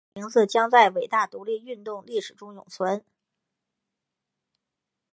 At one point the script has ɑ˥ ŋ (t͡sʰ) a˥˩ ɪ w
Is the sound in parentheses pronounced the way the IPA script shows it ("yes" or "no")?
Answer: no